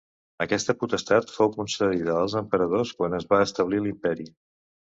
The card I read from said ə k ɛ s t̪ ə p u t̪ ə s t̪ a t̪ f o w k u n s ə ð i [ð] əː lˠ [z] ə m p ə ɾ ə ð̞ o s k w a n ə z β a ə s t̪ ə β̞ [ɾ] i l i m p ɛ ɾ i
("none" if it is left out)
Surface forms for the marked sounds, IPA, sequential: ð, z, l

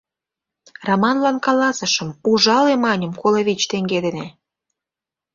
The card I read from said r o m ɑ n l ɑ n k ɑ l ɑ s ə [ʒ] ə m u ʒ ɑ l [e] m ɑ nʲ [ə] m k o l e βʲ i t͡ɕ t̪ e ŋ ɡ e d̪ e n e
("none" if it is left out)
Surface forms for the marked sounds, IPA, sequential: ʃ, e, ə

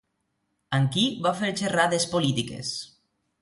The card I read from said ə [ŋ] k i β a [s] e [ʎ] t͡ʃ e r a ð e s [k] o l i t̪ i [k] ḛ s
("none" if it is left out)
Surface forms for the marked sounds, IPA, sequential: ŋ, f, ɾ, p, k

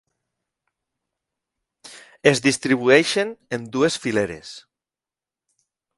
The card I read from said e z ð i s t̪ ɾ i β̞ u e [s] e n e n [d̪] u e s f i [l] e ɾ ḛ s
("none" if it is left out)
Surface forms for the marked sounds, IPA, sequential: ʃ, d̪, l

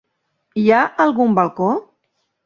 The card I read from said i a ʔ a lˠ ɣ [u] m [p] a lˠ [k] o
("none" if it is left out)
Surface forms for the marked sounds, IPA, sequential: u, b, k

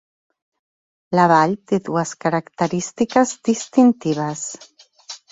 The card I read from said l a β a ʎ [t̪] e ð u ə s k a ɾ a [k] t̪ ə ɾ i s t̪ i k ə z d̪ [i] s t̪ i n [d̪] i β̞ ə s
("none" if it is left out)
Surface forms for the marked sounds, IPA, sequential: t̪, k, i, t̪

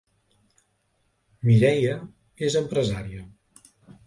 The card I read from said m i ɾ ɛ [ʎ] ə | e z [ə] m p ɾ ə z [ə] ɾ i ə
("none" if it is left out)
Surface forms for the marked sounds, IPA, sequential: j, ə, a

